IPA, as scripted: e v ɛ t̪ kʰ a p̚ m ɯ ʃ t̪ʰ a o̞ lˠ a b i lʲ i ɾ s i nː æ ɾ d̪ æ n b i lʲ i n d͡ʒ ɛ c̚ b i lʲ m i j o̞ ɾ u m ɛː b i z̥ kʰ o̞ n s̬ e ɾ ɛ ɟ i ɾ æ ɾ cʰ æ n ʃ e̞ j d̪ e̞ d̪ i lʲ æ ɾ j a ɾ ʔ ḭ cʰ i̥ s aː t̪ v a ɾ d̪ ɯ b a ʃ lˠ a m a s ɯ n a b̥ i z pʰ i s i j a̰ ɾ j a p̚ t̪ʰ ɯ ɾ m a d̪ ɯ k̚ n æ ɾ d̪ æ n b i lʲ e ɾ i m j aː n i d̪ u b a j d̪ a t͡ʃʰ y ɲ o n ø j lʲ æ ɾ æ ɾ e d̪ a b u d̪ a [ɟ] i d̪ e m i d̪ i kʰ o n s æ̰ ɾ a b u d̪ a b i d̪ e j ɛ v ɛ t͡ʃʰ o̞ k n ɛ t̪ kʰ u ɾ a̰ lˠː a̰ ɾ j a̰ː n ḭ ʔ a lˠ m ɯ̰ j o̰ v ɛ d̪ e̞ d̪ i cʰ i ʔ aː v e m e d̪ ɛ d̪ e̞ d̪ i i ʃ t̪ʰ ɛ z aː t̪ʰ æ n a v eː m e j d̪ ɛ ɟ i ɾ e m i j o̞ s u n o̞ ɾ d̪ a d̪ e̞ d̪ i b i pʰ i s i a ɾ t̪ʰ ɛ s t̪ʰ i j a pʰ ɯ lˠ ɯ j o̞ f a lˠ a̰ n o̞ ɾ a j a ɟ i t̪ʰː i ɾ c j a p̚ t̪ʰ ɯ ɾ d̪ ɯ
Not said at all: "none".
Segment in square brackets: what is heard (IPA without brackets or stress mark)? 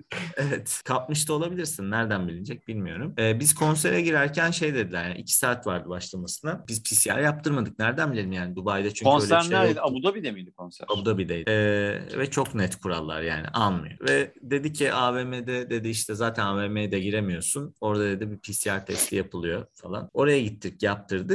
b